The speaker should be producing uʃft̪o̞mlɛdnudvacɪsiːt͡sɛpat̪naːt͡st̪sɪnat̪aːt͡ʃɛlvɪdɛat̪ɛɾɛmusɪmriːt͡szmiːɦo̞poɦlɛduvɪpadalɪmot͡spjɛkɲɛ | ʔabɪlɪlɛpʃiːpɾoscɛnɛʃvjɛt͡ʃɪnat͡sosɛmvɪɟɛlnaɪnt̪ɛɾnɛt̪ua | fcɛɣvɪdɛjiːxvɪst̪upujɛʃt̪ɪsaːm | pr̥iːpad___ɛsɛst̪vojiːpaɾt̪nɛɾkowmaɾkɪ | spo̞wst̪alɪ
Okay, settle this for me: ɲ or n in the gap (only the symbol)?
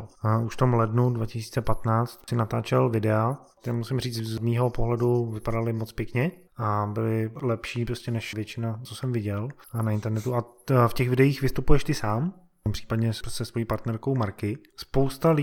ɲ